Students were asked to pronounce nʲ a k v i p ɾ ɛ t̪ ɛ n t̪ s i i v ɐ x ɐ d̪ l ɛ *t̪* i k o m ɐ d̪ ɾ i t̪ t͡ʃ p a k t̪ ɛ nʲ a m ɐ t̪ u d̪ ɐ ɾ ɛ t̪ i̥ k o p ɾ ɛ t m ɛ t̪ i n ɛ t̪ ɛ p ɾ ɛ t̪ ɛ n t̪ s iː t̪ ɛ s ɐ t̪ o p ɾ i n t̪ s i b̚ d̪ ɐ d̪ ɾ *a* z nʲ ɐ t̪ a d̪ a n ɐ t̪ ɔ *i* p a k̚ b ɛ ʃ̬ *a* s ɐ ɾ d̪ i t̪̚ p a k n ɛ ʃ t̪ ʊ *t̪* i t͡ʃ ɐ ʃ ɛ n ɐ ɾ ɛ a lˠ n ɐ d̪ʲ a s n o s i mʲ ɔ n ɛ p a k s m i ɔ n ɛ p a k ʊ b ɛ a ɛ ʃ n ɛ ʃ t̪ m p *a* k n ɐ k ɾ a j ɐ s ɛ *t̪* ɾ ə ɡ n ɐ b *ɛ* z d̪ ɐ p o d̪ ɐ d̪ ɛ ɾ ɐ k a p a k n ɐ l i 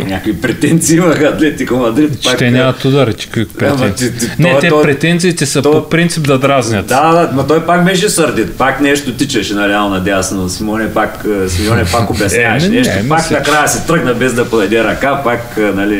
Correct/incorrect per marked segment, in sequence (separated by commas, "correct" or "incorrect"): correct, correct, incorrect, incorrect, correct, correct, correct, correct